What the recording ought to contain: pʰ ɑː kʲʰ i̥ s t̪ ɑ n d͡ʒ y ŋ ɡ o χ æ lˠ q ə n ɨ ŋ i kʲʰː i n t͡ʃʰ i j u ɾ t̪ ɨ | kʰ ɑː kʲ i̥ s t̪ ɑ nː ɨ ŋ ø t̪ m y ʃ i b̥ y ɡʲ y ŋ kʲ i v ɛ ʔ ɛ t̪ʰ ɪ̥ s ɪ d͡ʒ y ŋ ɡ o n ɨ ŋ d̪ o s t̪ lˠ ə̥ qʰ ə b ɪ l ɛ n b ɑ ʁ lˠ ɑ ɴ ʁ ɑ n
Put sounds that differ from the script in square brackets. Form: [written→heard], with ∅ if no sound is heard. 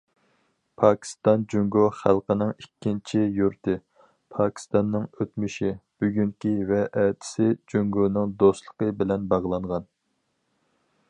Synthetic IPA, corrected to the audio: pʰ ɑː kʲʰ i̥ s t̪ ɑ n d͡ʒ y ŋ ɡ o χ æ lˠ q ə n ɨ ŋ i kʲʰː i n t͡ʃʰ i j u ɾ t̪ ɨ | [kʰ→pʰ] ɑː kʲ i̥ s t̪ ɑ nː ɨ ŋ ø t̪ m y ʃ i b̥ y ɡʲ y ŋ kʲ i v ɛ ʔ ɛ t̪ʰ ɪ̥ s ɪ d͡ʒ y ŋ ɡ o n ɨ ŋ d̪ o s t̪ lˠ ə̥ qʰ ə b ɪ l ɛ n b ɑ ʁ lˠ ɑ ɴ ʁ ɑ n